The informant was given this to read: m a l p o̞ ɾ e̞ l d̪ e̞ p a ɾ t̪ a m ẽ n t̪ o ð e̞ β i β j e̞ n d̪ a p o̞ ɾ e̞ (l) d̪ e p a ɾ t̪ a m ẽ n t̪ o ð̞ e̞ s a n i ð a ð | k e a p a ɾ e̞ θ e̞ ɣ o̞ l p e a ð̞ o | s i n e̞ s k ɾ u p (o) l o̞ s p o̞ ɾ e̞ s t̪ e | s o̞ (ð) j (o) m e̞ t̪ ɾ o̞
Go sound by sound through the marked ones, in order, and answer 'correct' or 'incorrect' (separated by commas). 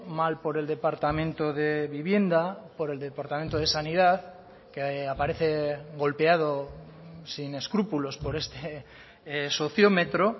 correct, incorrect, incorrect, correct